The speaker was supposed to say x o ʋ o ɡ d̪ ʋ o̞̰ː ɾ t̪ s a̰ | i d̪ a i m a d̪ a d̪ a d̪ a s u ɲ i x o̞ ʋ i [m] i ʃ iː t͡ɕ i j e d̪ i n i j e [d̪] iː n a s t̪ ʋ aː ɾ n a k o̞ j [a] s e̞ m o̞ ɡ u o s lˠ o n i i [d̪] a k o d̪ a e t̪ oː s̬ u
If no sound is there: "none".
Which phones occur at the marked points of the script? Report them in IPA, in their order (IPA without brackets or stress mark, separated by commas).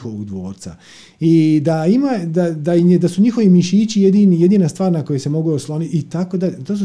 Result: m, d̪, e, t̪